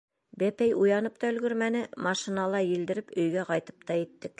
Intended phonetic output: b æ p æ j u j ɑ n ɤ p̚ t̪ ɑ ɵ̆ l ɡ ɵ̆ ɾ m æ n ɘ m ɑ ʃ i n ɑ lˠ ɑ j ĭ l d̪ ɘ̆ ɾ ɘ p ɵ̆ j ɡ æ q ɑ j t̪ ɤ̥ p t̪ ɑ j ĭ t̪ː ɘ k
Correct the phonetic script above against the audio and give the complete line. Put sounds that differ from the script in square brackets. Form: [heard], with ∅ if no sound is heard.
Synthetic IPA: b æ p æ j u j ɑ n ɤ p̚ t̪ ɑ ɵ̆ l ɡ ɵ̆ ɾ m æ n ɘ m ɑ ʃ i n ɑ lˠ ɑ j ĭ l d̪ ɘ̆ ɾ ɘ p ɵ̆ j ɡ æ q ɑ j t̪ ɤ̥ p t̪ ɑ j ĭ t̪ː ɘ k